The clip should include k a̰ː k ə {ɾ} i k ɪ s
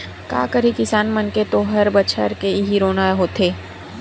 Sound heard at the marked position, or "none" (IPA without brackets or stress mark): ɾ